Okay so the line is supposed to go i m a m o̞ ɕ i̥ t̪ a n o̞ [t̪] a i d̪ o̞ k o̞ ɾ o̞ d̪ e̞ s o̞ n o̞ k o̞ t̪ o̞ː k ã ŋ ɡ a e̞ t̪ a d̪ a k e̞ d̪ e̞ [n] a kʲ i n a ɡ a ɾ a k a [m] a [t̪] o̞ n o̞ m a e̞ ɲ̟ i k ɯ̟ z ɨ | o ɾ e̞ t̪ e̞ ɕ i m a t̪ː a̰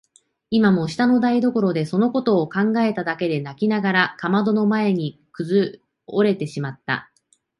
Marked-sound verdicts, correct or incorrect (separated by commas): incorrect, correct, correct, incorrect